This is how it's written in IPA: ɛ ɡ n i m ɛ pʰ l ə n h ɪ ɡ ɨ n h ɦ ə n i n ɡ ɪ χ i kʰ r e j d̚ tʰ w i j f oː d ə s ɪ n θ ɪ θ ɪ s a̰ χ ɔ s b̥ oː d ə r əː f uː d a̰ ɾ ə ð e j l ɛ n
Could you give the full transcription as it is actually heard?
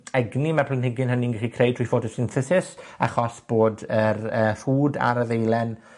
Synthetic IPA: ɛ ɡ n i m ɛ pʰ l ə n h ɪ ɡ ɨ n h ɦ ə n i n ɡ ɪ χ i kʰ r e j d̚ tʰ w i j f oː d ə s ɪ n θ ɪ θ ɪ s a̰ χ ɔ s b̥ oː d ə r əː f uː d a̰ ɾ ə ð e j l ɛ n

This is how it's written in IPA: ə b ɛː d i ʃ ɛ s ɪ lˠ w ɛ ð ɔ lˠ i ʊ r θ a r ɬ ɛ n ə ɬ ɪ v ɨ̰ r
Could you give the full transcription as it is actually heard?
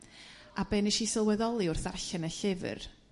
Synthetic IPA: a b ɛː n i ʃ i s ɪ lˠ w ɛ ð ɔ lˠ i ʊ r θ a r ɬ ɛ n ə ɬ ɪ v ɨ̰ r

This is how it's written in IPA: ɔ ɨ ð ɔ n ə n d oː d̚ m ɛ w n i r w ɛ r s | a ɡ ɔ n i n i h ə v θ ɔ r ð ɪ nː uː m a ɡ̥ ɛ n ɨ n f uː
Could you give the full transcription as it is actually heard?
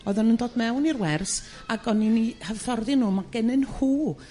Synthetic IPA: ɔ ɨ ð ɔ n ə n d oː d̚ m ɛ w n i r w ɛ r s | a ɡ ɔ n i n i h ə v θ ɔ r ð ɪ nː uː m a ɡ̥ ɛ n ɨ n h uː

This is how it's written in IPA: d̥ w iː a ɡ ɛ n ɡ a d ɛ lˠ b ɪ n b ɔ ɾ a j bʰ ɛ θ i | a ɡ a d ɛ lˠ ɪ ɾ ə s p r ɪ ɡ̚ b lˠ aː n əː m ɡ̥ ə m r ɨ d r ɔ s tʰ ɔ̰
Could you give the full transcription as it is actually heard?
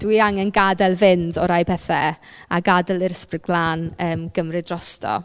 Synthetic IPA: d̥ w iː a ŋ ɛ n ɡ a d ɛ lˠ v ɪ n d ɔ ɾ a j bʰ ɛ θ ɛ | a ɡ a d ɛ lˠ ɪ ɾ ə s p r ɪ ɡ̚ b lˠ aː n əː m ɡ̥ ə m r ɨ d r ɔ s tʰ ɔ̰

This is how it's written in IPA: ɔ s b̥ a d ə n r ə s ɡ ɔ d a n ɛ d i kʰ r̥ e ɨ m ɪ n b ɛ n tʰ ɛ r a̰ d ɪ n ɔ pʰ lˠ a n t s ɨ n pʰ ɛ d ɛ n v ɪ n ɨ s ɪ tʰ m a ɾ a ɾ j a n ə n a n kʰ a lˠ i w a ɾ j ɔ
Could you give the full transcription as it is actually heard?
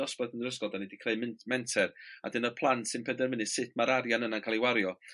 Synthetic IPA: ɔ s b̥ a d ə n r ə s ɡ ɔ d a n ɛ d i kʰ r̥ e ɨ m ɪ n m ɛ n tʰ ɛ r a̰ d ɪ n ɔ pʰ lˠ a n t s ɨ n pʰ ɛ d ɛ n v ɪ n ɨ s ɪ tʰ m a ɾ a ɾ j a n ə n a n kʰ a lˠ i w a ɾ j ɔ

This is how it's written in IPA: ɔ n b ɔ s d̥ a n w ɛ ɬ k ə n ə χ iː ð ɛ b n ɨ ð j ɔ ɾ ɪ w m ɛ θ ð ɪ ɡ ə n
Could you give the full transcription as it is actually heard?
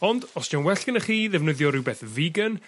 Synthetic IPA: ɔ n d ɔ s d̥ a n w ɛ ɬ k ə n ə χ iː ð ɛ v n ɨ ð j ɔ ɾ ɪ w b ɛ θ v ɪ ɡ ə n

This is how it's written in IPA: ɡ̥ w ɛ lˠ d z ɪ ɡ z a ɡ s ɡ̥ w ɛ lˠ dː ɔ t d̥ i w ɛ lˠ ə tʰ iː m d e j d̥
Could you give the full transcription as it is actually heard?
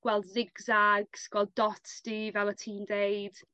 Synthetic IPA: ɡ̥ w ɛ lˠ d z ɪ ɡ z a ɡ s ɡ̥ w ɛ lˠ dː ɔ t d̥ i v ɛ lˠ ə tʰ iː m d e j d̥

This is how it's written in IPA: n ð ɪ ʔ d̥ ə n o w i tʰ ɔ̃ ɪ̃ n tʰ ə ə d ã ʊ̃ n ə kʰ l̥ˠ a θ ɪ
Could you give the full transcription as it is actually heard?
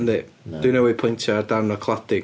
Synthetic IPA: n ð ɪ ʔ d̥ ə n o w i pʰ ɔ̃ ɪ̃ n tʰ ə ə d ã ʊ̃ n ə kʰ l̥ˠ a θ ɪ

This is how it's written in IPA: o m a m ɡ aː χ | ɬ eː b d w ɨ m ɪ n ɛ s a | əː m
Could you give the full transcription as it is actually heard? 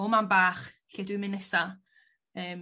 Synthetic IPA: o m a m b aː χ | ɬ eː d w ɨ m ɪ n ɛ s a | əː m

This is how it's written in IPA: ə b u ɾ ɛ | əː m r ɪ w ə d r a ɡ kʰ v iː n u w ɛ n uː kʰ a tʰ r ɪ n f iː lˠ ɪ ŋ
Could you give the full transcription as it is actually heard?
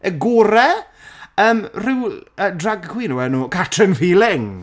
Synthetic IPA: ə ɡ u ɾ ɛ | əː m r ɪ w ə d r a ɡ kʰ w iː n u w ɛ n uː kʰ a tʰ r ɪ n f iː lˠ ɪ ŋ

